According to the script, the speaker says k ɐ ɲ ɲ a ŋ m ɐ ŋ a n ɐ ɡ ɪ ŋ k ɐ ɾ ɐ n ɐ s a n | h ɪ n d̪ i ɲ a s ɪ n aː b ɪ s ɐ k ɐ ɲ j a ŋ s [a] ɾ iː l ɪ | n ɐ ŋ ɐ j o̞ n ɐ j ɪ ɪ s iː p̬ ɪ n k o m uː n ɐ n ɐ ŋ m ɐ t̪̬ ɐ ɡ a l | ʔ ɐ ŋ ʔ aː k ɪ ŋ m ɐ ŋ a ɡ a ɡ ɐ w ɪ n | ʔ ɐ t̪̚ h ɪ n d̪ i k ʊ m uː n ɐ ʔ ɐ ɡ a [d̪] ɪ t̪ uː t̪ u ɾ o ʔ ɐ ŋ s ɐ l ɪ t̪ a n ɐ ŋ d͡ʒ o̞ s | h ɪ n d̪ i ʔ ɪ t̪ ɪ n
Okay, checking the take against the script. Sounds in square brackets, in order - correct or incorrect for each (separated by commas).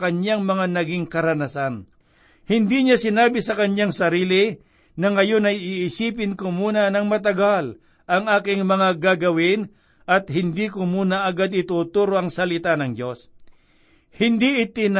incorrect, correct